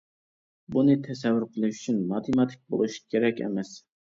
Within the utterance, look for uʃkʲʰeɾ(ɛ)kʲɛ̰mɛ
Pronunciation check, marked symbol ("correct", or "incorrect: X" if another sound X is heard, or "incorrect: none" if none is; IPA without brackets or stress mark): correct